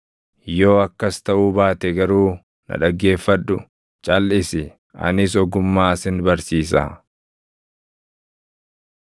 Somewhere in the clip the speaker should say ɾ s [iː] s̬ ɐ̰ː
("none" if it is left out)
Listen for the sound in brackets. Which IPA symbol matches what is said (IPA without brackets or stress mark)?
iː